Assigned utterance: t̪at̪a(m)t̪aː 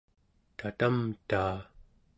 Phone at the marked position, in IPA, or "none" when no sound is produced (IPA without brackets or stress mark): m